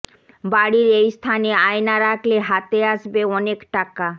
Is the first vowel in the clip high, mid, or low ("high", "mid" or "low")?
low